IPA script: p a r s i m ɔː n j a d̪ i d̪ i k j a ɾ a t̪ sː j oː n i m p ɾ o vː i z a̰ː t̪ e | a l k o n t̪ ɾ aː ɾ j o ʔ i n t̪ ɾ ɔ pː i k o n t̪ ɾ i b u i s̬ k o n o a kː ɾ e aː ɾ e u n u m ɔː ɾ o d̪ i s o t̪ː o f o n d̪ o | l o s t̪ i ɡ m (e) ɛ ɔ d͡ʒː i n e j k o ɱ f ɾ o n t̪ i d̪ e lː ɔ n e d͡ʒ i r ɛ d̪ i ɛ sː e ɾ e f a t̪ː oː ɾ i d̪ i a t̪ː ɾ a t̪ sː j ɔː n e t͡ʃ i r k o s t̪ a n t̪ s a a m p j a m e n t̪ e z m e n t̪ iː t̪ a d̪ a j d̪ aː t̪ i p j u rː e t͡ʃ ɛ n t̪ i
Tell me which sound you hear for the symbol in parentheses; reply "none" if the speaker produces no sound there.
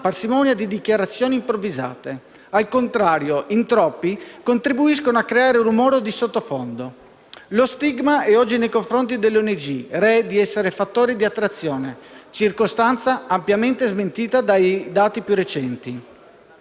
a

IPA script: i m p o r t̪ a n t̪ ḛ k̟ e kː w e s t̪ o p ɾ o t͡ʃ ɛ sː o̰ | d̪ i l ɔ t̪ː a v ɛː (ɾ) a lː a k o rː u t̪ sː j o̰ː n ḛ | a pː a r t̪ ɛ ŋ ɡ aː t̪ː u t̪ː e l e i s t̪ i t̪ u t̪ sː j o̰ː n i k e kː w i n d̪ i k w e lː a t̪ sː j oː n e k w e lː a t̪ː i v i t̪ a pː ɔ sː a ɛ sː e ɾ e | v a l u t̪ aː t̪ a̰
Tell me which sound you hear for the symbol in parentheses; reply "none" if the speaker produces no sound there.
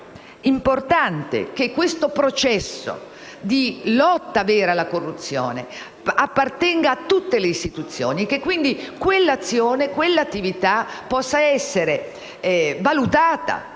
ɾ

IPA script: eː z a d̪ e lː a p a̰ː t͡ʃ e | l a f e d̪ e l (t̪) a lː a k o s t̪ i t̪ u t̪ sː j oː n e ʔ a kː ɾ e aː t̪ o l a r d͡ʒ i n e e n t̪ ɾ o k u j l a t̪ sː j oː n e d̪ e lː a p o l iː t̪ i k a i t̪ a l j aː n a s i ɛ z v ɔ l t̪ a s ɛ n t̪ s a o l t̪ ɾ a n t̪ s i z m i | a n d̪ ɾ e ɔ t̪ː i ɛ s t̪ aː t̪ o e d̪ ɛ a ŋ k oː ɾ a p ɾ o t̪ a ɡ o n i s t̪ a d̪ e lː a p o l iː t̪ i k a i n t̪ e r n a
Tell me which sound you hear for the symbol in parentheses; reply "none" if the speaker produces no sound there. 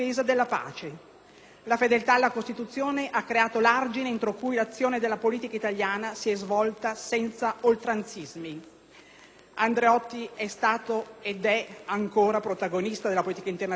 t̪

